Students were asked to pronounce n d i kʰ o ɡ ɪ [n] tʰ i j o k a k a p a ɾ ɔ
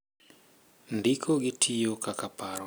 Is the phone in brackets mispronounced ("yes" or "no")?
yes